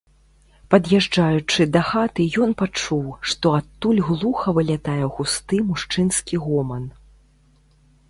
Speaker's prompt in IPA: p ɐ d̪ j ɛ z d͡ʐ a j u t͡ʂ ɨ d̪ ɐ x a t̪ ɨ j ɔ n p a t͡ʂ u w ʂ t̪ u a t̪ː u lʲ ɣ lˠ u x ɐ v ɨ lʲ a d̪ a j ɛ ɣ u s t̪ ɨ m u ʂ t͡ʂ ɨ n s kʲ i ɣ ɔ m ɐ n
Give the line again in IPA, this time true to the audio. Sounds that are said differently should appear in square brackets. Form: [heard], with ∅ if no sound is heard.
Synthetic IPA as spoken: p ɐ d̪ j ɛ [ʐ] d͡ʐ a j u t͡ʂ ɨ d̪ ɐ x a t̪ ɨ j ɔ n p a t͡ʂ u w ʂ t̪ [ɔ] a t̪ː u lʲ ɣ lˠ u x ɐ v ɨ lʲ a [t̪] a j ɛ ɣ u s t̪ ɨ m u ʂ t͡ʂ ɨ n s kʲ i ɣ ɔ m ɐ n